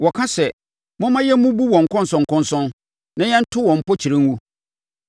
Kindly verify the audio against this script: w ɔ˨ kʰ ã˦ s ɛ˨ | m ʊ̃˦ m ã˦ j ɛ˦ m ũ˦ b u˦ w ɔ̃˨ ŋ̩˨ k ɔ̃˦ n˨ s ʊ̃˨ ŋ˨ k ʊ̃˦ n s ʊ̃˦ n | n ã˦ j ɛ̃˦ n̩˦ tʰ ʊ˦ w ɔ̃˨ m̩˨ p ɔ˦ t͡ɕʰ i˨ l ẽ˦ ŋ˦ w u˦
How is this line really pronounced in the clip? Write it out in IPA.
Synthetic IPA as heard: w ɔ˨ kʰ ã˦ s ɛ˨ | m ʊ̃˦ m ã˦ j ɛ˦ m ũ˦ b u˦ w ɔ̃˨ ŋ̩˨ k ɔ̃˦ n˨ s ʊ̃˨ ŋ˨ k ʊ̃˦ n s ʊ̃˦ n | n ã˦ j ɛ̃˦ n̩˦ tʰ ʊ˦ w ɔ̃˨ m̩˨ p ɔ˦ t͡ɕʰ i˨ ɾ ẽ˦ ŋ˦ w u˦